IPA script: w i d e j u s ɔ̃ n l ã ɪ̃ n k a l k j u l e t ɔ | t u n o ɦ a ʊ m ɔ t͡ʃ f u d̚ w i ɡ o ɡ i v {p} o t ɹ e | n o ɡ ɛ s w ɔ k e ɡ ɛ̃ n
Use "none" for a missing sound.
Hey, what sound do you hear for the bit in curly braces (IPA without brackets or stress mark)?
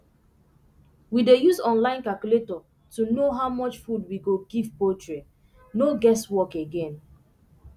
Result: p